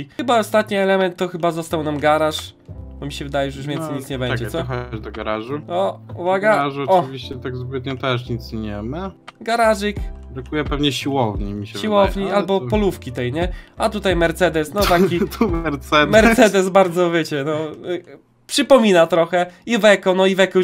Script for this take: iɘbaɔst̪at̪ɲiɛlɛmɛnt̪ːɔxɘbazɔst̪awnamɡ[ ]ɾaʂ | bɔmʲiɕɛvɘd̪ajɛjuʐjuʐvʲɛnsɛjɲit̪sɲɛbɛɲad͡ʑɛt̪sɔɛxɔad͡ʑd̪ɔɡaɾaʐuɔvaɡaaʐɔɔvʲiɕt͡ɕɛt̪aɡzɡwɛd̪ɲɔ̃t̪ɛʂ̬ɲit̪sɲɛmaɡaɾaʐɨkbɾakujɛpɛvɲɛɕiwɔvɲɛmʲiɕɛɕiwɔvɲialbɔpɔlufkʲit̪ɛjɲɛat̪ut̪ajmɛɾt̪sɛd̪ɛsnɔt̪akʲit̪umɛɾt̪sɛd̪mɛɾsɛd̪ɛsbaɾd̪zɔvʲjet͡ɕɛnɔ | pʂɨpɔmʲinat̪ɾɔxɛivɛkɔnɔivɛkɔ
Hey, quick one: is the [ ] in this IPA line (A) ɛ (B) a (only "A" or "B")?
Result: B